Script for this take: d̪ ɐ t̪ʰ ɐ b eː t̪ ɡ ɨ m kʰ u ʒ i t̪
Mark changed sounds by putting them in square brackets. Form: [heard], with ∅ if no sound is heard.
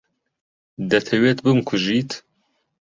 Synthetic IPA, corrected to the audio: d̪ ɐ t̪ʰ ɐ [w] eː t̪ [b] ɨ m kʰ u ʒ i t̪